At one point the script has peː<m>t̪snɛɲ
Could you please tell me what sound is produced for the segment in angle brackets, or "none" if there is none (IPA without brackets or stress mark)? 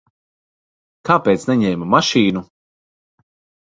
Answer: none